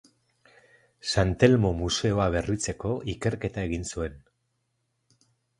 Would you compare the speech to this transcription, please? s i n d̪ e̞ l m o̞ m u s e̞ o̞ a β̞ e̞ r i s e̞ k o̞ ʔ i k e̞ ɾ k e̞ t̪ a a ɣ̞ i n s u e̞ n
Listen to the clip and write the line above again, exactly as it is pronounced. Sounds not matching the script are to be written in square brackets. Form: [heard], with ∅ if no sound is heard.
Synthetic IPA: s [a] n [t̪] e̞ l m o̞ m u s e̞ o̞ a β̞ e̞ r i [t͡s] e̞ k o̞ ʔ i k e̞ ɾ k e̞ t̪ a [e] ɣ̞ i n s u e̞ n